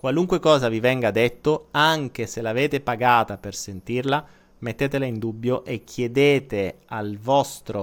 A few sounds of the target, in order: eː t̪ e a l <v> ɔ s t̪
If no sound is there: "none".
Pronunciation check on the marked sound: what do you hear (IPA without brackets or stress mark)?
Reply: v